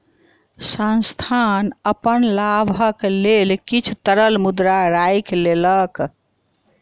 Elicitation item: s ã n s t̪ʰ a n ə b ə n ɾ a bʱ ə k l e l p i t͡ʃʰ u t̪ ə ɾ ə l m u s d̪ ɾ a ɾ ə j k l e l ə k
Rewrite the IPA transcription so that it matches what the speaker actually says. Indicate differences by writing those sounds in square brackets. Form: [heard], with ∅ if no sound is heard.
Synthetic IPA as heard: s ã n s t̪ʰ a n ə [p] ə n [l] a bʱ ə k l e l [k] i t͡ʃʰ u t̪ ə ɾ ə l m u [∅] d̪ ɾ a ɾ [a] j k l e l ə k

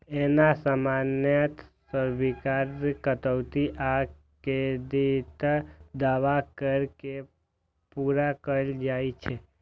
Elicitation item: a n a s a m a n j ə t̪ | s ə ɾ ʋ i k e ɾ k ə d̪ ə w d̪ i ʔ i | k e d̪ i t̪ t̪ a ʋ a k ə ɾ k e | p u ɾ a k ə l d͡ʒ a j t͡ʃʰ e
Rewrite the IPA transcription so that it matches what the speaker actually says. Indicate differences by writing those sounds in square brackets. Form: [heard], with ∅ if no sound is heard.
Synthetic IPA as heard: [e] n a s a m a n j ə t̪ | s ə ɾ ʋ i k [a] ɾ k ə [t̪] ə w [t̪] i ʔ [a] | k e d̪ i t̪ [d̪] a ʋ a k ə ɾ k e | p u ɾ a k ə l d͡ʒ a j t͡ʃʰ e

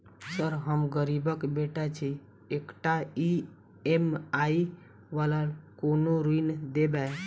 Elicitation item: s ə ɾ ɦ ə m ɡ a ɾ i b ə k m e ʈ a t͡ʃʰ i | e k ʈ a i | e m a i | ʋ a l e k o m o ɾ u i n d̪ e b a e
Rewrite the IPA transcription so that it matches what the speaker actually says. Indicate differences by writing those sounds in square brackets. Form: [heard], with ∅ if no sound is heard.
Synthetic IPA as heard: s ə ɾ ɦ ə m ɡ [ə] ɾ i b ə k [b] e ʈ a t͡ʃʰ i | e k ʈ a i | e m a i | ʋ a l [a] k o [n] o ɾ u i n d̪ e b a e

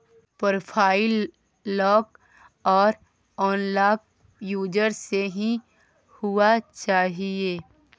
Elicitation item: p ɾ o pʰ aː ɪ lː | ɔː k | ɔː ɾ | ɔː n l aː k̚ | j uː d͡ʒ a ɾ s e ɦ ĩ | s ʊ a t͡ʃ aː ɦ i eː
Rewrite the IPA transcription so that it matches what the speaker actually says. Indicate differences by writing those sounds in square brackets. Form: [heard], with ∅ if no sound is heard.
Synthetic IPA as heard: p ɾ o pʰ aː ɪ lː | ɔː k | ɔː ɾ | ɔː n l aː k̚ | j uː d͡ʒ [ə] ɾ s e ɦ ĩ | [h] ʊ a t͡ʃ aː ɦ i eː

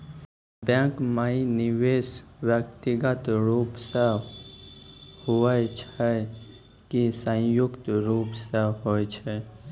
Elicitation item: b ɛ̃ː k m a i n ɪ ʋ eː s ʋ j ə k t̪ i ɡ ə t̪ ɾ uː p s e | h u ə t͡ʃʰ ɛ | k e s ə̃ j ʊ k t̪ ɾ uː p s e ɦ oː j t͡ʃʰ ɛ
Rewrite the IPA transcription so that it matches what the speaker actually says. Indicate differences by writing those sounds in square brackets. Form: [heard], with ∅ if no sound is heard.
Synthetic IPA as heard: b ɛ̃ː k m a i n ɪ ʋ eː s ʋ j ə k t̪ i ɡ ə t̪ ɾ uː p s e | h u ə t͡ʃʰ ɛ | k [i] s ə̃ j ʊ k t̪ ɾ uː p s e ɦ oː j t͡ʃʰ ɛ

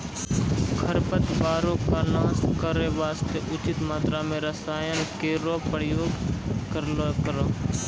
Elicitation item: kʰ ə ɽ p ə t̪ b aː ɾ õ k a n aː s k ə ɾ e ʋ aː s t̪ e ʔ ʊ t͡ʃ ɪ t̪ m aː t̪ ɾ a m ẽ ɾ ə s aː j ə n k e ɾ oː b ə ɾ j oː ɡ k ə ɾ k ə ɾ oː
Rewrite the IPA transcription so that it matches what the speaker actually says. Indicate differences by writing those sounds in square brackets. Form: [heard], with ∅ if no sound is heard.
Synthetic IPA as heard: kʰ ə [ɾ] p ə t̪ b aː ɾ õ k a n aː s k ə ɾ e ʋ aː s t̪ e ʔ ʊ t͡ʃ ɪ t̪ m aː t̪ ɾ a m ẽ ɾ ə s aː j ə n k e ɾ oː [p] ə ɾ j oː ɡ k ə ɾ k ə ɾ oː

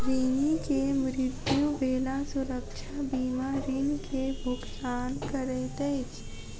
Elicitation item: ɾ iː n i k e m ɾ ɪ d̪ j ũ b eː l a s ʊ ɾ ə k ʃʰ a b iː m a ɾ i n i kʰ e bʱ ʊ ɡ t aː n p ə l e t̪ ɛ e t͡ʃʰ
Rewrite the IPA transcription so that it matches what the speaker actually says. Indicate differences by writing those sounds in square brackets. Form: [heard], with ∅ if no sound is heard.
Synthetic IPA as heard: ɾ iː n i k e m ɾ ɪ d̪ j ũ b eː l a s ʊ ɾ ə k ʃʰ a b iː m a ɾ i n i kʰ e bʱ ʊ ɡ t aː n [k] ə [ɾ] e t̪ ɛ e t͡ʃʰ

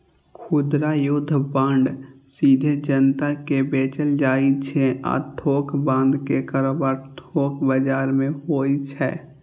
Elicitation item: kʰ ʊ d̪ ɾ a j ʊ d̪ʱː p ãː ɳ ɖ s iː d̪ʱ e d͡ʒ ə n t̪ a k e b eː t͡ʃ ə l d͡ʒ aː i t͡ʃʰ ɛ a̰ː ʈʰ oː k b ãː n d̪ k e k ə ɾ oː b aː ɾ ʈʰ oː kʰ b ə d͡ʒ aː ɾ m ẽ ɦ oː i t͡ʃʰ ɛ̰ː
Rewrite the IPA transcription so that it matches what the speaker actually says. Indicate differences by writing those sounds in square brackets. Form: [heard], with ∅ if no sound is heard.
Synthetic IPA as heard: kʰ ʊ d̪ ɾ a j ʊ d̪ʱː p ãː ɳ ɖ s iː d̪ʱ e d͡ʒ ə n t̪ a k e b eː t͡ʃ ə l d͡ʒ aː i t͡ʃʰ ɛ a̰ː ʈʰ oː k b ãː n d̪ k e k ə ɾ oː b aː ɾ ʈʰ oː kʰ b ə d͡ʒ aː ɾ m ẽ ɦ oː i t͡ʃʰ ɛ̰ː

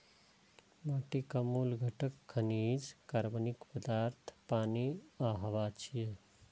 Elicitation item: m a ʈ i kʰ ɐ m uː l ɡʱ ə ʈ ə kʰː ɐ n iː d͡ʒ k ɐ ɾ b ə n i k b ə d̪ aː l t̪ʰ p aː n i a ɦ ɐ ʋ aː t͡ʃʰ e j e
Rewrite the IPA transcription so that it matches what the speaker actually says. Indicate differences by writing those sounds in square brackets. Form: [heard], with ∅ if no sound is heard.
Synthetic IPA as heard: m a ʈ i [k] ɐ m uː l ɡʱ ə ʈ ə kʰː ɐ n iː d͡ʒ k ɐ ɾ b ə n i k [p] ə d̪ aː [ɾ] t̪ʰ p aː n i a ɦ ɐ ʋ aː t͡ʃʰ [i] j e

